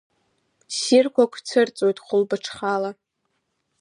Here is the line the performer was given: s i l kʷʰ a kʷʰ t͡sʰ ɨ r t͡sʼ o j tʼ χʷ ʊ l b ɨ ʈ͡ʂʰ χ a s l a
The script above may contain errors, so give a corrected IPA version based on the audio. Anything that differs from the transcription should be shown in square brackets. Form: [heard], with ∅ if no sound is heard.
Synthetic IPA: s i [r] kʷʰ a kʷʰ t͡sʰ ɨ r t͡sʼ o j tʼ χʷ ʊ l b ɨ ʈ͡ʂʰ χ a [∅] l a